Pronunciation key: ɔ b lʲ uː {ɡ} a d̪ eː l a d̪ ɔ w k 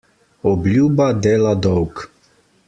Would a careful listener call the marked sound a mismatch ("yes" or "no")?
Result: yes